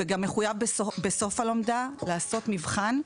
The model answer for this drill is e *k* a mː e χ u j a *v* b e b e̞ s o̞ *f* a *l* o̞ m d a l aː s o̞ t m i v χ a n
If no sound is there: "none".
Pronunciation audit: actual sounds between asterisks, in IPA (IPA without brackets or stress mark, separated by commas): ɡ, v, f, l